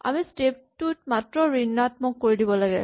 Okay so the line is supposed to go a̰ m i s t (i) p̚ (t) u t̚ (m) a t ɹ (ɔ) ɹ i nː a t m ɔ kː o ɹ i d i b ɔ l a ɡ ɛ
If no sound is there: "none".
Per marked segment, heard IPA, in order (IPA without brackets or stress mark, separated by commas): e, t, m, ɔ